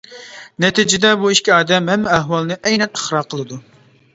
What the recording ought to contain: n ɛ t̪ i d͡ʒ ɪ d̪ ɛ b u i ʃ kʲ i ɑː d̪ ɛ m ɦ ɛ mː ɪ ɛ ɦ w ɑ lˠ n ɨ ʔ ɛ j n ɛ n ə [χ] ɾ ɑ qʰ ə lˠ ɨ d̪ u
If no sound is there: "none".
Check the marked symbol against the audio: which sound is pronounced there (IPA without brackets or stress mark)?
χ